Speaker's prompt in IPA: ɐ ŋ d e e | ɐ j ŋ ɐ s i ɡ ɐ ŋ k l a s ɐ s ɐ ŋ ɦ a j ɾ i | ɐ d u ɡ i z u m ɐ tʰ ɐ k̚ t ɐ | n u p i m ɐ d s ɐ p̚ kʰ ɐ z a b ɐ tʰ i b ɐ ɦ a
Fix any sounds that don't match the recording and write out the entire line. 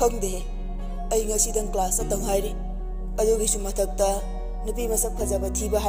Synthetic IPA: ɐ ŋ d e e | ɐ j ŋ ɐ s i d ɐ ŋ k l a s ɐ t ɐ ŋ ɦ a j ɾ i | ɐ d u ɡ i s u m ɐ tʰ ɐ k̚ t ɐ | n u p i m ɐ s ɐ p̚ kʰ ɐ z a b ɐ tʰ i b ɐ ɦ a